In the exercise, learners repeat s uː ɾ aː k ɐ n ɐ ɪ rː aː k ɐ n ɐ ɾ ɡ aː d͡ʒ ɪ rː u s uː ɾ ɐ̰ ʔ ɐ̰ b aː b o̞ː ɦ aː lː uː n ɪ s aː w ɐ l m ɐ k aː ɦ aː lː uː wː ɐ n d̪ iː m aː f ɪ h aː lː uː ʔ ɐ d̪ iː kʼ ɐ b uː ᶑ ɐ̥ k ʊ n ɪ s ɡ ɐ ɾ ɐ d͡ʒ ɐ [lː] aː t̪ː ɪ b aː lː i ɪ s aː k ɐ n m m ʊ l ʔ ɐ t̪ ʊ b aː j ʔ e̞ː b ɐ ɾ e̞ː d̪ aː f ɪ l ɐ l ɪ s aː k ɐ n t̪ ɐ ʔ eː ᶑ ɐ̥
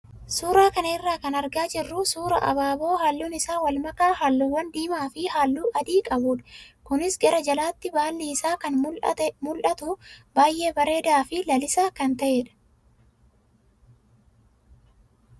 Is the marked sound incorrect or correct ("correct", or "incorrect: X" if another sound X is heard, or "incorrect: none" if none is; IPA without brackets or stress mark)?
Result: incorrect: l